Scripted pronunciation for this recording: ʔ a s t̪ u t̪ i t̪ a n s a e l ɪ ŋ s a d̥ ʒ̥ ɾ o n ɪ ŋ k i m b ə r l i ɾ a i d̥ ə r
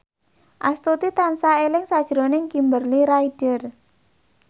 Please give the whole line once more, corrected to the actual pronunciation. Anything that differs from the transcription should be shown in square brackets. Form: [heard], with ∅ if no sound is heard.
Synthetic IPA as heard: ʔ a s t̪ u t̪ i t̪ a n s a e l ɪ ŋ s a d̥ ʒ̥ ɾ o n ɪ ŋ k i m b ə r l i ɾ a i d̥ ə r